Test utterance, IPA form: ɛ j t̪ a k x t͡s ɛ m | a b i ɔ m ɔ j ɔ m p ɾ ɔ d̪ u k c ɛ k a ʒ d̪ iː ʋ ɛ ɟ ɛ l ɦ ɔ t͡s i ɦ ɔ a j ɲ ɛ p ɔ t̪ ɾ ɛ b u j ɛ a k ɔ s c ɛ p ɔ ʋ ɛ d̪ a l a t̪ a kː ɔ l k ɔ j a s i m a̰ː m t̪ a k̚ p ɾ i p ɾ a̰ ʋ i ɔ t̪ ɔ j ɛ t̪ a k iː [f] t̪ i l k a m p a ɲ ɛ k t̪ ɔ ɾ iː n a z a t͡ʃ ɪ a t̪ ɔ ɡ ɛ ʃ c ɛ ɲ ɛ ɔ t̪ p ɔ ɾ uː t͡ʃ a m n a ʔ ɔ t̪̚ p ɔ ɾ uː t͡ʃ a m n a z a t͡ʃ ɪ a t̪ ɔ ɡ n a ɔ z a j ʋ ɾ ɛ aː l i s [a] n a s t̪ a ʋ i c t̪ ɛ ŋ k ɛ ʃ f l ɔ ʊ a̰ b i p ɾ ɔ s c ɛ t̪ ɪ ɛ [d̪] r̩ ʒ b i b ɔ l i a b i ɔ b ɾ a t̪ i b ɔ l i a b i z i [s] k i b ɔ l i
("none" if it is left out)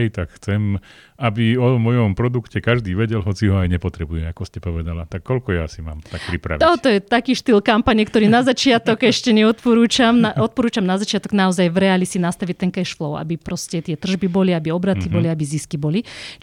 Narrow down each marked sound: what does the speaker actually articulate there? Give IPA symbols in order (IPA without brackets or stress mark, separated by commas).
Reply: ʃ, i, t̪, s